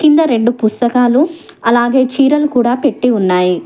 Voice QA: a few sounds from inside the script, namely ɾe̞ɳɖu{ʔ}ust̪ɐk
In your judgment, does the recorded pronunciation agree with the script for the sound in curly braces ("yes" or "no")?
no